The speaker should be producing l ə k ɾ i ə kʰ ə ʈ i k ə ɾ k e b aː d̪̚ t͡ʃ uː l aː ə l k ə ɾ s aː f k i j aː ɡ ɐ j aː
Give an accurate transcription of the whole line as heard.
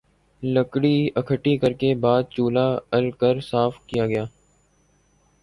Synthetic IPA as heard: l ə k ɽ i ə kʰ ə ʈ i k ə ɾ k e b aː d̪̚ t͡ʃ uː l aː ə l k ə ɾ s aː f k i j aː ɡ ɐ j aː